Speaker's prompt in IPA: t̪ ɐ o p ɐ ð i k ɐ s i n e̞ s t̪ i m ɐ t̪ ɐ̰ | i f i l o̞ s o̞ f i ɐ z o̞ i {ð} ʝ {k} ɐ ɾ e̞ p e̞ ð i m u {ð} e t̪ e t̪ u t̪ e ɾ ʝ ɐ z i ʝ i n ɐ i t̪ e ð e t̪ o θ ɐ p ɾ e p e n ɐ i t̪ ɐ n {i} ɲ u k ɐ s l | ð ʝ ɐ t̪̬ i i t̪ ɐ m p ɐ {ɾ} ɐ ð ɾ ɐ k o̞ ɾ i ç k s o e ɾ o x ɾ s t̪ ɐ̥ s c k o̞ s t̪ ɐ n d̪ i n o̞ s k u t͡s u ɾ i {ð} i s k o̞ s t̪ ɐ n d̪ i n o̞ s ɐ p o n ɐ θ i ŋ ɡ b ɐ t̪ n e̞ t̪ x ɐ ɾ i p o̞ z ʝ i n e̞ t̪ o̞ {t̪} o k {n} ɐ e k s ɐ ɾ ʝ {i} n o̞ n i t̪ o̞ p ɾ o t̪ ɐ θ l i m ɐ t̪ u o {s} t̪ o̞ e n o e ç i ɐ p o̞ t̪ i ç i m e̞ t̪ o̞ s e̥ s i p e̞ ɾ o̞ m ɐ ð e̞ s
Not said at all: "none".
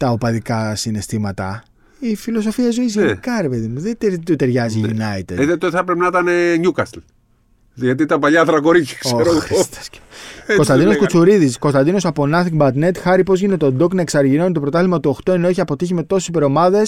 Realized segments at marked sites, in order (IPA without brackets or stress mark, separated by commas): z, k, ð, e, ʎ, ð, d̪, n, i, x